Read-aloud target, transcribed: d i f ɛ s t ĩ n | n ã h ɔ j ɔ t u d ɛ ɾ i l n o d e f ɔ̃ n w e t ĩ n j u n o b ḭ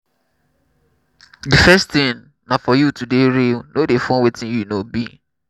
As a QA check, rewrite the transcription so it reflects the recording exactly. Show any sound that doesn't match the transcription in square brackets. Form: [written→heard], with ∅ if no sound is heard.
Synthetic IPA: d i f ɛ s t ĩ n | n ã [h→f] ɔ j [ɔ→u] t u d [ɛ→e] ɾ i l n o d e f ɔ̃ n w e t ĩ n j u n o b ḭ